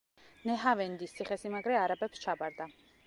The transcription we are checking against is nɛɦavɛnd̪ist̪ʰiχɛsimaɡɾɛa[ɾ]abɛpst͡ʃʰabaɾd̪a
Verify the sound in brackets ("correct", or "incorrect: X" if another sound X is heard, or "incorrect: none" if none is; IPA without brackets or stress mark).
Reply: correct